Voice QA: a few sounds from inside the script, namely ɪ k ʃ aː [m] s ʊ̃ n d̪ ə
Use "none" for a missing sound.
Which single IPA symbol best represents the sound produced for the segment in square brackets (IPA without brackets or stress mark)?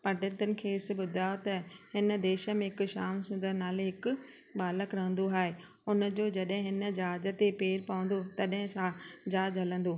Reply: m